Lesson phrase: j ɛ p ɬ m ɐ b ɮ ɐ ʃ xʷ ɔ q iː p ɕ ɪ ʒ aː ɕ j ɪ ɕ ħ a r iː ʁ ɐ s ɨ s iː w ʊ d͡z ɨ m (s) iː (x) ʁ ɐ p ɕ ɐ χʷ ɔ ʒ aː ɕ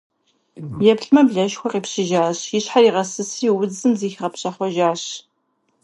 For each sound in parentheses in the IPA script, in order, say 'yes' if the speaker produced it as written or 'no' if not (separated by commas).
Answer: no, yes